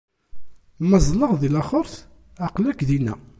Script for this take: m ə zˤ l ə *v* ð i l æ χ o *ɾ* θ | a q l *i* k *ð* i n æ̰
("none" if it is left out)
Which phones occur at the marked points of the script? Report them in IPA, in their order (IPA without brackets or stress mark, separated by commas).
ʁ, ɾ, æ, ð